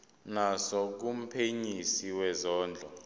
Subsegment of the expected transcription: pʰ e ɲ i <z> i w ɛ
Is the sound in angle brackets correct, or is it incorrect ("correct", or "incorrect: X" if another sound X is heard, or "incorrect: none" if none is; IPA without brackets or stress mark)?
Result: incorrect: s